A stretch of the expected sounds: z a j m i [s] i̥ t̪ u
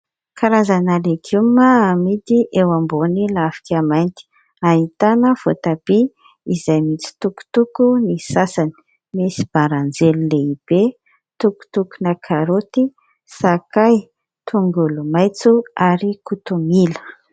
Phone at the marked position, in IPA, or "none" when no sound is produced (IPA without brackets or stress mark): t͡s